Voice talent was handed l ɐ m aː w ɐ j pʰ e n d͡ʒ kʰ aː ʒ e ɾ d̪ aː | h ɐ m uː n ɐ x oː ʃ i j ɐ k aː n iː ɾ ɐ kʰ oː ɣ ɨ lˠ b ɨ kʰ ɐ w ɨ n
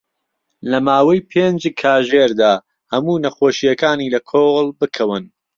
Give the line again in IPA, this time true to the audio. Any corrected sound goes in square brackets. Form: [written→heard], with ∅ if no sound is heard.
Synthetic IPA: l ɐ m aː w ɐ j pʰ e n d͡ʒ kʰ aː ʒ e ɾ d̪ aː | h ɐ m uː n ɐ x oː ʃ i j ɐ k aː n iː [ɾ→l] ɐ kʰ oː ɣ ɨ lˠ b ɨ kʰ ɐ w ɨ n